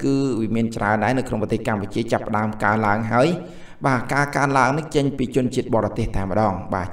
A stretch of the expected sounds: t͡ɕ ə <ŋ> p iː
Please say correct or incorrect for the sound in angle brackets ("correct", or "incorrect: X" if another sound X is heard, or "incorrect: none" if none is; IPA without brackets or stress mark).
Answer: incorrect: ɲ